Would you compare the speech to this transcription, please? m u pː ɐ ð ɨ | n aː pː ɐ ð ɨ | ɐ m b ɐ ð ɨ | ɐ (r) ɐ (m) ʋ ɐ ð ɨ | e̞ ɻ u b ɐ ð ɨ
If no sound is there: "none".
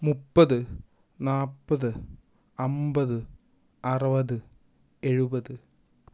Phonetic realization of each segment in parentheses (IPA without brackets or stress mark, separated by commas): r, none